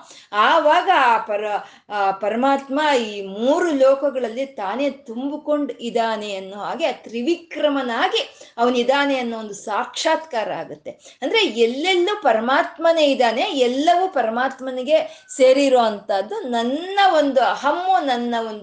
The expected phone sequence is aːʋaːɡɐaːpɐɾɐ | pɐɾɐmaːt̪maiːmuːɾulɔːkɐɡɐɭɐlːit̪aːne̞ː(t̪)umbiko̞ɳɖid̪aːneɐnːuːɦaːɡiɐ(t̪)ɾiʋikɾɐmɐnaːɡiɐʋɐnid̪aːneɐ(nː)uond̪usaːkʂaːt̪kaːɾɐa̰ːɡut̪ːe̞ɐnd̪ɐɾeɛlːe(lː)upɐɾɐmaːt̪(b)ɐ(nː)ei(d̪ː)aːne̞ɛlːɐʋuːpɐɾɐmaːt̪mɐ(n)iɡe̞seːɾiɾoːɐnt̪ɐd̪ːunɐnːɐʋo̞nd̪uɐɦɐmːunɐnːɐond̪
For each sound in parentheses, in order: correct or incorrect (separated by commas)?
correct, correct, correct, correct, incorrect, incorrect, incorrect, correct